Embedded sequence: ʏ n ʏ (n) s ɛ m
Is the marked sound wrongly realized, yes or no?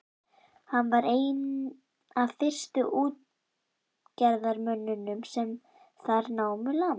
yes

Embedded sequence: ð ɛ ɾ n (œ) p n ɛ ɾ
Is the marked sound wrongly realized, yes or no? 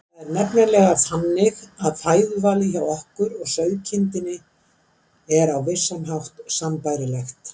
yes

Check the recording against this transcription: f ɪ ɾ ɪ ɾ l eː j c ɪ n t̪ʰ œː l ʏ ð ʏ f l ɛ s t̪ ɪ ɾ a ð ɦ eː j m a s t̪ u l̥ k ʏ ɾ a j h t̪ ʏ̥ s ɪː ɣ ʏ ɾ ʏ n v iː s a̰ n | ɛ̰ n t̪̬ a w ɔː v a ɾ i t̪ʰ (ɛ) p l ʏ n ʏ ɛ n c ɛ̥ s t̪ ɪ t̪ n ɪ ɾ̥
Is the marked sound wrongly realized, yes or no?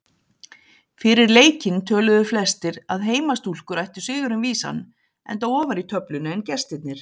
yes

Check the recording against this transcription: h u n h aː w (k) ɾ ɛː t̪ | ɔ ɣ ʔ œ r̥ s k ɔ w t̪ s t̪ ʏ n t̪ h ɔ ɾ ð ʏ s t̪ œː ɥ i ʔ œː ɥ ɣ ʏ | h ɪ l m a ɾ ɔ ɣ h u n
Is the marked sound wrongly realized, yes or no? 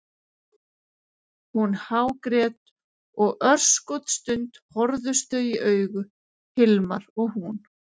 no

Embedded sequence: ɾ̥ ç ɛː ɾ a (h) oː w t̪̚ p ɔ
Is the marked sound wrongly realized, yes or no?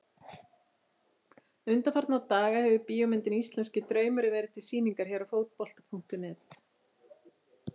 yes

